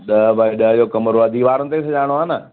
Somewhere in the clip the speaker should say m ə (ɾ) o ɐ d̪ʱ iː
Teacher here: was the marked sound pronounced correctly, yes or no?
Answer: yes